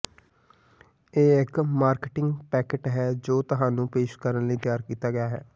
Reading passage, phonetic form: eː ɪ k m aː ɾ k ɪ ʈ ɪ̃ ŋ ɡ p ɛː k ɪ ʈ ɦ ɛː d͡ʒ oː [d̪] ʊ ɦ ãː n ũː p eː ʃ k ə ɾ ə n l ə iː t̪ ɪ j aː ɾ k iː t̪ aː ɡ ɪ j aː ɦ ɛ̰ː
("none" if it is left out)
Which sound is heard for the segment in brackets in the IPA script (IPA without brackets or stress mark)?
t̪